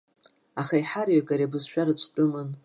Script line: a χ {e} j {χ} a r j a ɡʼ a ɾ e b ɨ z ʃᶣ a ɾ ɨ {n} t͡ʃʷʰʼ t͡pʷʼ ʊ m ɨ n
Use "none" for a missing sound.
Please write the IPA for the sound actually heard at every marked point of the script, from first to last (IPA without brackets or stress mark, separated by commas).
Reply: a, ħ, none